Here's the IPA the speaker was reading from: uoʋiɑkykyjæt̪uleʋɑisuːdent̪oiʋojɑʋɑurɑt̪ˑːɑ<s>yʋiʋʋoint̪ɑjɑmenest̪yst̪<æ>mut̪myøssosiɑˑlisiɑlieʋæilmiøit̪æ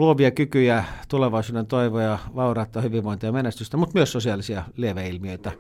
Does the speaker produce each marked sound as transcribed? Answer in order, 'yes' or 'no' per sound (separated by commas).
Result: no, yes